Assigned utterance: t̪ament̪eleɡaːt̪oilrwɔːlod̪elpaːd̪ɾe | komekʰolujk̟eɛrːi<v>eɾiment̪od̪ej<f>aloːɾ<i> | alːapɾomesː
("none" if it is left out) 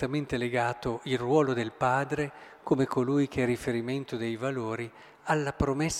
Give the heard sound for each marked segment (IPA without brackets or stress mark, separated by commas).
f, v, i